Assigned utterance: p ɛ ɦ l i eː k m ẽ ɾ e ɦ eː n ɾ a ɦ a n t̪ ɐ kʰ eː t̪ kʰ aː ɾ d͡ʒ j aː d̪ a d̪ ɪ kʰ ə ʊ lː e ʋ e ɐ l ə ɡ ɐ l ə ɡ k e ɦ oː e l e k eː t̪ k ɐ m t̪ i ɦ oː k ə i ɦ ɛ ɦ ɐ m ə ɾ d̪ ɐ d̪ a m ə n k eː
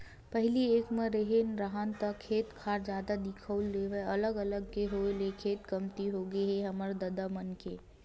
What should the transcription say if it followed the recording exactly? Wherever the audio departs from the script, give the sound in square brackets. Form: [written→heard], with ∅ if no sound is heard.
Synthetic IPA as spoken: p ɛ ɦ l i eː k m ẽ ɾ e ɦ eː n ɾ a ɦ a n t̪ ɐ kʰ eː t̪ kʰ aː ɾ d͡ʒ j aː d̪ a d̪ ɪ kʰ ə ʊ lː e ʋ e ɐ l ə ɡ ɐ l ə ɡ k e ɦ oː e l e [k→kʰ] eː t̪ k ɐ m t̪ i ɦ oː [k→ɡ] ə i ɦ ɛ ɦ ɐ m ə ɾ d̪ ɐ d̪ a m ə n k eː